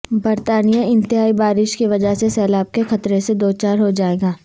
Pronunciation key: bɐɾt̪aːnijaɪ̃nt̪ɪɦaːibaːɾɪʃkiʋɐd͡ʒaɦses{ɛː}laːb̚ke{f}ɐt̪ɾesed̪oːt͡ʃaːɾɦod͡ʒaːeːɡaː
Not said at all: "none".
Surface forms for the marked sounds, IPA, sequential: ɛː, x

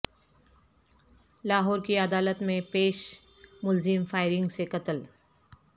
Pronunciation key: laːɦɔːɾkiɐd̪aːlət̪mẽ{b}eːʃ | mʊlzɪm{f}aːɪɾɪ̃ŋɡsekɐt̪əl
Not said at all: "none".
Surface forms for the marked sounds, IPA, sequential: p, f

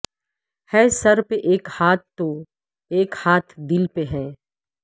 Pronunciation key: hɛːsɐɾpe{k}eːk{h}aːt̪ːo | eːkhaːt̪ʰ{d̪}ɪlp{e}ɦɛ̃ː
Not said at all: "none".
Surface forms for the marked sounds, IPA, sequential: ʔ, h, d̪, e

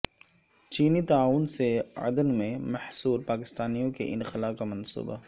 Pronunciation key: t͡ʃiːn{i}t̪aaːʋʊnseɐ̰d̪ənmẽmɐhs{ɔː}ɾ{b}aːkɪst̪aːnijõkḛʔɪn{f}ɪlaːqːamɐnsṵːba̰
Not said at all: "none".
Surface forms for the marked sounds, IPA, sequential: i, uː, p, x

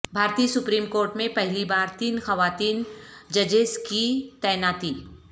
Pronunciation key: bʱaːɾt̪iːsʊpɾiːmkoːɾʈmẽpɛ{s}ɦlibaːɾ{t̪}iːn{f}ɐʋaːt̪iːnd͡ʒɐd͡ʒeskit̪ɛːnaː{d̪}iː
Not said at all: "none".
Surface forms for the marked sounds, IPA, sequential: none, t̪, x, t̪

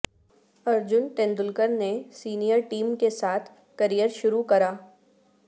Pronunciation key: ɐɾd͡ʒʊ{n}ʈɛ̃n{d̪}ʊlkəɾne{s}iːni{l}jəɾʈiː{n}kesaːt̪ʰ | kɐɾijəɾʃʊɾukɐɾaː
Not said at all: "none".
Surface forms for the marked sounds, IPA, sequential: n, d̪, s, none, m

